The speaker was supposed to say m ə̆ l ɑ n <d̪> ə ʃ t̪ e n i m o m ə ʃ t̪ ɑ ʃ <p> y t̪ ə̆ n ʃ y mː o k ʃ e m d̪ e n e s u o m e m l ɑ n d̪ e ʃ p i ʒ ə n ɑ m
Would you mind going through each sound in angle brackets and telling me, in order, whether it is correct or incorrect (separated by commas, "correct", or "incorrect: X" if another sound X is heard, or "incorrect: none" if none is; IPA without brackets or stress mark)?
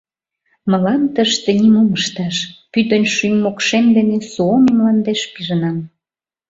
incorrect: t̪, correct